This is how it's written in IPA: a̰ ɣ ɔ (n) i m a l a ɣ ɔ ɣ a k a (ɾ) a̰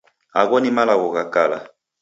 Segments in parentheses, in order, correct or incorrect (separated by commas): correct, incorrect